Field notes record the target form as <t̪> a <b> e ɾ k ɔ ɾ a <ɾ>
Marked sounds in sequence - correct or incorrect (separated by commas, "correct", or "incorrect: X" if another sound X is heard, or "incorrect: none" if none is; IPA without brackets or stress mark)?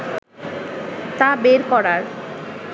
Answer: correct, correct, correct